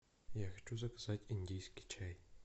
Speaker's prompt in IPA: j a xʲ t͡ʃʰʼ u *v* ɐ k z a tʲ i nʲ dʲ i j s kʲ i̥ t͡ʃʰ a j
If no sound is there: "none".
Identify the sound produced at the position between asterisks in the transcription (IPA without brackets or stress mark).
z